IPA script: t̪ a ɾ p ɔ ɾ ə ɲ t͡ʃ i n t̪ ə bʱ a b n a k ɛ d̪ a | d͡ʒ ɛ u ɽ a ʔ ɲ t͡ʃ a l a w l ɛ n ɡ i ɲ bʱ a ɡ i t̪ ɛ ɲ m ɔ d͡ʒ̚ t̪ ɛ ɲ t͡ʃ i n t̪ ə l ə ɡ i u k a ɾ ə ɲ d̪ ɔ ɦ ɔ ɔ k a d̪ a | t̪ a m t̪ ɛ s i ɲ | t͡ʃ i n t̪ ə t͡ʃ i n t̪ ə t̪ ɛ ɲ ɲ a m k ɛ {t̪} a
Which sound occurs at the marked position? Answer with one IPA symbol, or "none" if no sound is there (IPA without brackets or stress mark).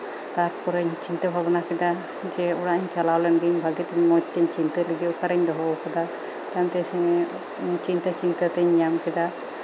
d̪